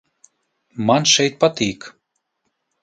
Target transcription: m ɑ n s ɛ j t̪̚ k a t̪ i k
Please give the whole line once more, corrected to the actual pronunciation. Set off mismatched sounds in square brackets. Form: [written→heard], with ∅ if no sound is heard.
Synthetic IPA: m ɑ n [s→ʃ] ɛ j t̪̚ [k→p] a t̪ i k

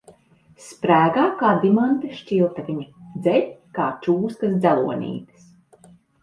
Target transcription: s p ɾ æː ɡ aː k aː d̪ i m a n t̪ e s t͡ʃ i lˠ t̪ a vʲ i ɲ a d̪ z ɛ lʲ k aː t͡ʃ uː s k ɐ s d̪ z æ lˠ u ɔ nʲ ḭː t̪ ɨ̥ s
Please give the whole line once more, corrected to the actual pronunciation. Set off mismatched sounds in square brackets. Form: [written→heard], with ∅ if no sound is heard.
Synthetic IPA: s p ɾ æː ɡ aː k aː d̪ i m a n t̪ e [s→ʃ] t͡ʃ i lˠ t̪ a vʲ i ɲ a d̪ z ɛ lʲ k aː t͡ʃ uː s k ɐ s d̪ z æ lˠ u ɔ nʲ ḭː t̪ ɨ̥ s

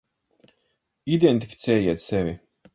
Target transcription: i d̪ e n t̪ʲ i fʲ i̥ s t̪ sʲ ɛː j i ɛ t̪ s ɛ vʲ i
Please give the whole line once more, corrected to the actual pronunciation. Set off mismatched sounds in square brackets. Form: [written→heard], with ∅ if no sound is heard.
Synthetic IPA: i d̪ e n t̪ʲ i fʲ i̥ [s→∅] t̪ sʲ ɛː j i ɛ t̪ s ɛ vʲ i

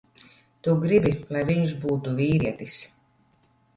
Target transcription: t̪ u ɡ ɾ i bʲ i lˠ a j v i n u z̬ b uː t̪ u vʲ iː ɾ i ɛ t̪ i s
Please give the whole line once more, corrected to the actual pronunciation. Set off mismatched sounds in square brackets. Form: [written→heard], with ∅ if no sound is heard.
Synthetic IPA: t̪ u ɡ ɾ i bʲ i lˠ a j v i [n→ɲ] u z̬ b uː t̪ u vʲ iː ɾ i ɛ t̪ i s

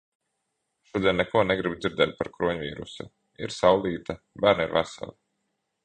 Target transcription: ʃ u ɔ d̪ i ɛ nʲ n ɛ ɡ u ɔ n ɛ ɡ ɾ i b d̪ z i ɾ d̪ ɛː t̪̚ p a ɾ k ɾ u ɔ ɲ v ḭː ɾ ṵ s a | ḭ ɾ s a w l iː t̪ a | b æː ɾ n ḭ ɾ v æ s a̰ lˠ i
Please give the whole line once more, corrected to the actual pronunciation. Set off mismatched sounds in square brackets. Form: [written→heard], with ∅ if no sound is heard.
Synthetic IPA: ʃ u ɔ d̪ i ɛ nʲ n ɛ [ɡ→k] u ɔ n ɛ ɡ ɾ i b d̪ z i ɾ d̪ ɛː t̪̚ p a ɾ k ɾ u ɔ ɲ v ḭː ɾ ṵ s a | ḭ ɾ s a w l iː t̪ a | b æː ɾ n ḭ ɾ v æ s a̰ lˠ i

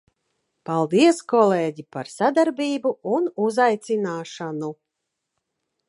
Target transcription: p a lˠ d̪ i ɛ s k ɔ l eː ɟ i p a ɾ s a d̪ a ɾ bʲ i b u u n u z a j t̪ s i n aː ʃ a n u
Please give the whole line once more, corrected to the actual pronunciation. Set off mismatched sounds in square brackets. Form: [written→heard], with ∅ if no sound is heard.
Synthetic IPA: p a lˠ d̪ i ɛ s k ɔ l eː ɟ i p a ɾ s a d̪ a ɾ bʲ [i→iː] b u u n u z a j t̪ s i n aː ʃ a n u

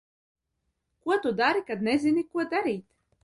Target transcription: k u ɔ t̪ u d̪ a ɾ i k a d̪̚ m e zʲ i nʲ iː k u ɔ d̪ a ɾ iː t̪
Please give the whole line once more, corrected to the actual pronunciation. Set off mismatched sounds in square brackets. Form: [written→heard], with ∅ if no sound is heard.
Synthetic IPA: k u ɔ t̪ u d̪ a ɾ i k a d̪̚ [m→n] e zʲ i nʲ [iː→i] k u ɔ d̪ a ɾ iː t̪

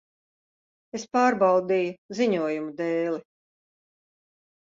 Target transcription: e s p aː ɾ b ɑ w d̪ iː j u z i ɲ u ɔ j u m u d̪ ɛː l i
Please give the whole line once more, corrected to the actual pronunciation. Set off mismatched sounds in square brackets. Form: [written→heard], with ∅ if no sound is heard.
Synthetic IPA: e s p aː ɾ b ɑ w d̪ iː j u z i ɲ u ɔ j u m u d̪ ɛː l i

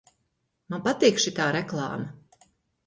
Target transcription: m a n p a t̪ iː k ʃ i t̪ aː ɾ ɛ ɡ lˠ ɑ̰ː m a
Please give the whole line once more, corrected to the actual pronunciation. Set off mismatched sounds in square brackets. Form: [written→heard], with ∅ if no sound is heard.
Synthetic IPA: m a n p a t̪ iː k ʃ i t̪ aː ɾ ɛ [ɡ→k] lˠ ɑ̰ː m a

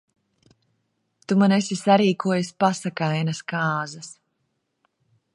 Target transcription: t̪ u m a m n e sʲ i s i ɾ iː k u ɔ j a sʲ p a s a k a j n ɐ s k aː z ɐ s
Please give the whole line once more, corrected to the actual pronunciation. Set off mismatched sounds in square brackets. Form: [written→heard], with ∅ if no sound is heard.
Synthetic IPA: t̪ u m a [m→∅] n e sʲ i s [i→a] ɾ iː k u ɔ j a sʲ p a s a k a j n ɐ s k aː z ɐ s

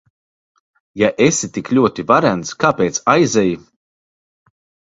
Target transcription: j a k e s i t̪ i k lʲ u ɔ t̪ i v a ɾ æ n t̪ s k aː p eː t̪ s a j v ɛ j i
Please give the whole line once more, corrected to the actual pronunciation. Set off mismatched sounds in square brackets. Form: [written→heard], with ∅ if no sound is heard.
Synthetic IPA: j a [k→ʔ] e s i t̪ i k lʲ u ɔ t̪ i v a ɾ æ n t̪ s k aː p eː t̪ s a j [v→z] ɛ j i

